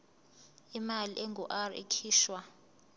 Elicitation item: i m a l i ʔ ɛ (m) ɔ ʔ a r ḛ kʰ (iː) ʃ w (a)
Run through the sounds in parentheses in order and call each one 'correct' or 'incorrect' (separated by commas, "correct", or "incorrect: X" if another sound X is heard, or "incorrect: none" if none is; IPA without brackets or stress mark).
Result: incorrect: ŋ, correct, correct